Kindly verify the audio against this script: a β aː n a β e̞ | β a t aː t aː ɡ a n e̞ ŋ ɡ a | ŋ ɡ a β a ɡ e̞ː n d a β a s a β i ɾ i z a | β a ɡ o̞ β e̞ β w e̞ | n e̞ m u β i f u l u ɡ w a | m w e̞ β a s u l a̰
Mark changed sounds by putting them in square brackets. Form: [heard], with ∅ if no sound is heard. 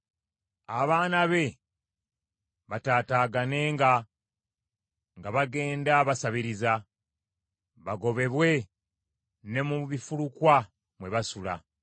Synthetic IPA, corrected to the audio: a β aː n a β e̞ | β a t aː t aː ɡ a n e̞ ŋ ɡ a | ŋ ɡ a β a ɡ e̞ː n d a β a s a β i ɾ i z a | β a ɡ o̞ β e̞ β w e̞ | n e̞ m u β i f u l u [k] w a | m w e̞ β a s u l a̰

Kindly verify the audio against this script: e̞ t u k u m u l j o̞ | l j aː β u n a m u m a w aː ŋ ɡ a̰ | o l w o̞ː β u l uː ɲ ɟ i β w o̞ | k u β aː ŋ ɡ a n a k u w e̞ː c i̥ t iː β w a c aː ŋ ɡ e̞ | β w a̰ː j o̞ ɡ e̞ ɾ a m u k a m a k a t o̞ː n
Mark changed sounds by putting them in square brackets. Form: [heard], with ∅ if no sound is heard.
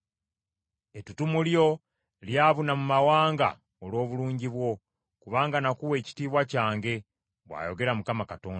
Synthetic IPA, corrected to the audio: e̞ t u [t] u m u l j o̞ | l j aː β u n a m u m a w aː ŋ ɡ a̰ | o l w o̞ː β u l uː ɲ ɟ i β w o̞ | k u β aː ŋ ɡ a n a k u w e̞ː c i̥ t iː β w a c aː ŋ ɡ e̞ | β w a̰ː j o̞ ɡ e̞ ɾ a m u k a m a k a t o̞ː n

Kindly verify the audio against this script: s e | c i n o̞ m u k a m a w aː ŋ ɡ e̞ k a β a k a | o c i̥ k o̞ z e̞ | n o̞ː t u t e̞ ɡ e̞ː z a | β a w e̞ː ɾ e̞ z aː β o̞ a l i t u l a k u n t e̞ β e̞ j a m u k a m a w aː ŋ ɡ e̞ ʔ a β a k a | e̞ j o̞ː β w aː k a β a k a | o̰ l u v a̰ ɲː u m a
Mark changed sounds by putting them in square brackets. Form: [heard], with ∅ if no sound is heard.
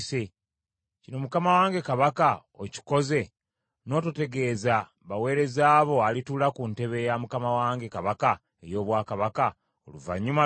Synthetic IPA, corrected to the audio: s e | c i n o̞ m u k a m a w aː ŋ ɡ e̞ k a β a k a | o c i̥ k o̞ z e̞ | n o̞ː t u t e̞ ɡ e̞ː z a | β a w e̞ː ɾ e̞ z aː β o̞ a l i t u l a k u n t e̞ β e̞ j a m u k a m a w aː ŋ ɡ e̞ [k] a β a k a | e̞ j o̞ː β w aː k a β a k a | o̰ l u v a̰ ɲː u m a

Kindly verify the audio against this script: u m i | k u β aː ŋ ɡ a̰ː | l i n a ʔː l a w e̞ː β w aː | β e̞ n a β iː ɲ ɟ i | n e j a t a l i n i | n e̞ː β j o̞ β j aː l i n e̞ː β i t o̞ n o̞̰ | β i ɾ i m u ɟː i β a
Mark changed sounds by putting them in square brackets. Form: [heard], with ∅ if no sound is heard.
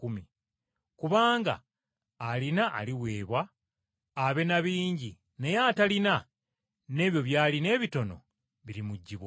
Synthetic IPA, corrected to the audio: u m i | k u β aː ŋ ɡ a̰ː | l i n a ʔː l [i] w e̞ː β w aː | β e̞ n a β iː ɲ ɟ i | n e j a t a l i n [a] | n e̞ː β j o̞ β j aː l i n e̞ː β i t o̞ n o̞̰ | β i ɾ i m u ɟː i β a

